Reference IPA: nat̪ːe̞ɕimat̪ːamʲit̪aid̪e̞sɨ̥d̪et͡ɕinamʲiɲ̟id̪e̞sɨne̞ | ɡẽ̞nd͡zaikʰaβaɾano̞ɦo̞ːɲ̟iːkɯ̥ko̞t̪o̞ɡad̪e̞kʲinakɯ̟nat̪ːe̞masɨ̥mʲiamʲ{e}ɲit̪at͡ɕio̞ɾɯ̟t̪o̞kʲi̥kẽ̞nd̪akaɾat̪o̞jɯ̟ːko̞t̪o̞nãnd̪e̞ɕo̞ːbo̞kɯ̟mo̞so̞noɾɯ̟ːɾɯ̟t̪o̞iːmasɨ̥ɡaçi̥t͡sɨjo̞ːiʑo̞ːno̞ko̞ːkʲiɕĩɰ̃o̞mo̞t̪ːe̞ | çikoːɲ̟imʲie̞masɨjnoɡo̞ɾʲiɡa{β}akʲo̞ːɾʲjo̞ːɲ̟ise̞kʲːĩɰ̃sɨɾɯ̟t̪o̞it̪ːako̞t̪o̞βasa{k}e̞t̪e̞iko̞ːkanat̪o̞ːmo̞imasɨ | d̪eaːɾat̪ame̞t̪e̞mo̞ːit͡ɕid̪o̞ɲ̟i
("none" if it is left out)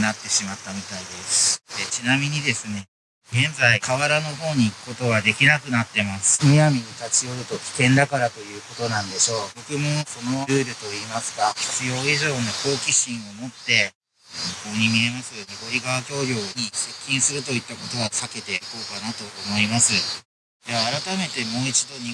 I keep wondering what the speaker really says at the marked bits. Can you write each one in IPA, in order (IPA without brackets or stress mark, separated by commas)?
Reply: i, β, k